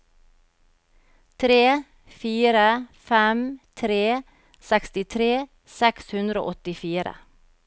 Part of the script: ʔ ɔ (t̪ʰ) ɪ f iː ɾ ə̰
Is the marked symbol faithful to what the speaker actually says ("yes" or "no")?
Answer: no